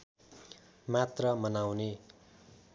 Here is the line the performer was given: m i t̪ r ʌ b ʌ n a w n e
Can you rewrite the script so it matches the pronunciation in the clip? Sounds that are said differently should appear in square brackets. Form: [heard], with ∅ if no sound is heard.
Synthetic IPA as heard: m [a] t̪ r ʌ [m] ʌ n a w n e